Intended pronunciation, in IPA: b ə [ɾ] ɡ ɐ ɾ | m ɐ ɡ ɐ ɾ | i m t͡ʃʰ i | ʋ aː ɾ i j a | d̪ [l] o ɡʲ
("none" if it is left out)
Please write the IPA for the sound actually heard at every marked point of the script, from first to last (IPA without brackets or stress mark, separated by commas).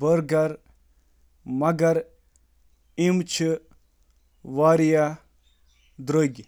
ɾ, ɾ